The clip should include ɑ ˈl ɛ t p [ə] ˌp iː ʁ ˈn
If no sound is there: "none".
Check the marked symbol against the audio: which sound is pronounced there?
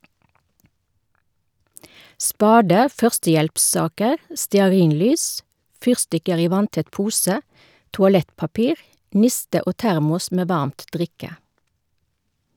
ɑ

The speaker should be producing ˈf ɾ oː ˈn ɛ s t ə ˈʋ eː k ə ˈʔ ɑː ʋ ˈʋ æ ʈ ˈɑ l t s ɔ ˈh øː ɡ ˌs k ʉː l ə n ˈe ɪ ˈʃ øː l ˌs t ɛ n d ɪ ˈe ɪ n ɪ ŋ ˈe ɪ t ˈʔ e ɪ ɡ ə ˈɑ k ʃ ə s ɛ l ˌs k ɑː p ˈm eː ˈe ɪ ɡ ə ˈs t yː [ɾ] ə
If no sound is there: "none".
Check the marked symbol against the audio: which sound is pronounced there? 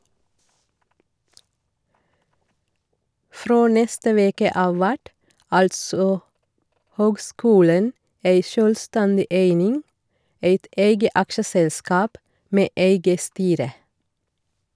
ɾ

